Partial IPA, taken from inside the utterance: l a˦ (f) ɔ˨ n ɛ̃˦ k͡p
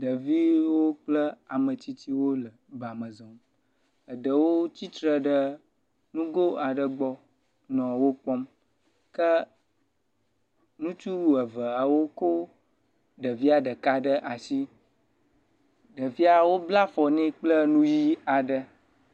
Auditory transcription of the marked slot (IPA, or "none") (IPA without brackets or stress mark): f